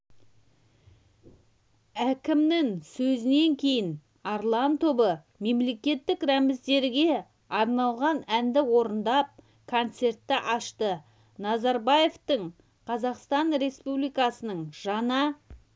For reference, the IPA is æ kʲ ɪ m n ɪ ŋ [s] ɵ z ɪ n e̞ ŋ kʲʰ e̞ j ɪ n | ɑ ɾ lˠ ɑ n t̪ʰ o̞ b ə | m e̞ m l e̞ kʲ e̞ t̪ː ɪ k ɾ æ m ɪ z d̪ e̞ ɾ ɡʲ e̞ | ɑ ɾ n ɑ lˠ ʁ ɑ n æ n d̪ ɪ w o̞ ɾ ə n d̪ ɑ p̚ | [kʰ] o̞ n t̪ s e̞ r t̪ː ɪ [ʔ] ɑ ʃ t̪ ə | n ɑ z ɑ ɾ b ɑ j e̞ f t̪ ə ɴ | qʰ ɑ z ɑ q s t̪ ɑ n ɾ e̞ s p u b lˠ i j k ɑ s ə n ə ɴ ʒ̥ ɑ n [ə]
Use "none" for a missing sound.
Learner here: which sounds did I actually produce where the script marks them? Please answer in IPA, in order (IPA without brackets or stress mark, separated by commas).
s, kʰ, ʔ, ɑ